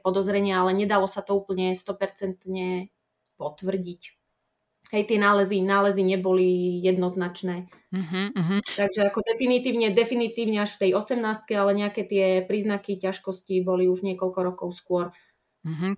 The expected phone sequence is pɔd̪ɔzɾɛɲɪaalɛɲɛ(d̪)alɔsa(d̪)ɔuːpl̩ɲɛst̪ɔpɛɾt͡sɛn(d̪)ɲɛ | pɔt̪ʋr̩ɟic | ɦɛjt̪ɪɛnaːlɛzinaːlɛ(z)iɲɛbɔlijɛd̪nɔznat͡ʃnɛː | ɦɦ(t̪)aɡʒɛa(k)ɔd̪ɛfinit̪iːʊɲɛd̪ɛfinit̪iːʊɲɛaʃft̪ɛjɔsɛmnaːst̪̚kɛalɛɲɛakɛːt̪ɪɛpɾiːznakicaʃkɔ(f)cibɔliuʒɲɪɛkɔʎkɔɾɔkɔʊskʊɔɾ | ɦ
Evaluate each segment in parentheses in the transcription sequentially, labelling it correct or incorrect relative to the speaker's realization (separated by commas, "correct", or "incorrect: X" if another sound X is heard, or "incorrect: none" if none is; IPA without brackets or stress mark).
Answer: correct, incorrect: t̪, incorrect: t̪, correct, correct, correct, incorrect: s